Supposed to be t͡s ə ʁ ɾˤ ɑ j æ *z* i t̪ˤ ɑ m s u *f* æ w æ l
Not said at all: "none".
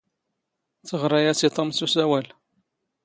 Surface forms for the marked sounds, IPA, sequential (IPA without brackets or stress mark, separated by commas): s, s